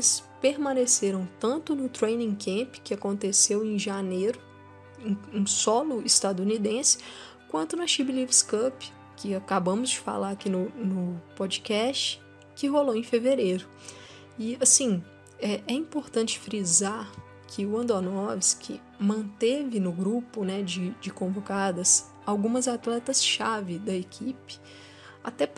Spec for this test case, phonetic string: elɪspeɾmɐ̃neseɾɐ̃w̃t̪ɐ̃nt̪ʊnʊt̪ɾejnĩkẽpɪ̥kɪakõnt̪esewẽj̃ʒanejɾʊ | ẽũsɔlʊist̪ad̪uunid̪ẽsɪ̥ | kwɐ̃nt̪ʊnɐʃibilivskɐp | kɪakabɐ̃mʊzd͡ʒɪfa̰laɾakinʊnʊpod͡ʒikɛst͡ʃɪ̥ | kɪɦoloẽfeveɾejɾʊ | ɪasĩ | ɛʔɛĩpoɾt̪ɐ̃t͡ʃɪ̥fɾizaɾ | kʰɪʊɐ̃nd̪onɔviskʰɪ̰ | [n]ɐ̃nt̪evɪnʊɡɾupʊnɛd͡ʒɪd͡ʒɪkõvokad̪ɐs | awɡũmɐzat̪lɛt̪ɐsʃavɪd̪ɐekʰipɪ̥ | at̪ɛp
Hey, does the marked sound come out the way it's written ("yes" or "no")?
no